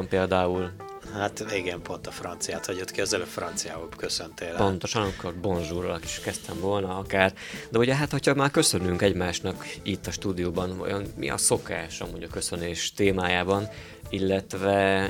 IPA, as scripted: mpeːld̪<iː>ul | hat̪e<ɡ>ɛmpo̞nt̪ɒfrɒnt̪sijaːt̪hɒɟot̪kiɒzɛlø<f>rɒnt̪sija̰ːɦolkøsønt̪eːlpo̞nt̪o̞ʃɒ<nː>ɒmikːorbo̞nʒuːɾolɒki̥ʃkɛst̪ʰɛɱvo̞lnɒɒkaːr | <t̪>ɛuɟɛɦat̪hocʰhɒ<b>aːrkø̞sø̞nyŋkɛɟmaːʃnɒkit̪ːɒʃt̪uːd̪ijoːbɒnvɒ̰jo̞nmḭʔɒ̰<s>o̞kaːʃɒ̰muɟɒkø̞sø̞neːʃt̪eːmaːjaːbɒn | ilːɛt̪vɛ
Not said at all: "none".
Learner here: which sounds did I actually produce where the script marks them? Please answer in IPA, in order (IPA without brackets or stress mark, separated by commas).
aː, ɡ, f, n, d̪, m, s